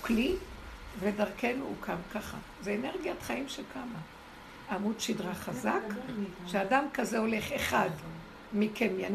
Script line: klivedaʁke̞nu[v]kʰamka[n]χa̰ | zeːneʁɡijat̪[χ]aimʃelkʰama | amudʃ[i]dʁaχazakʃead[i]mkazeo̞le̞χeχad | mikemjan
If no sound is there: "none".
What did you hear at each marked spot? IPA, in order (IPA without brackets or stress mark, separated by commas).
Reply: none, none, χ, i, a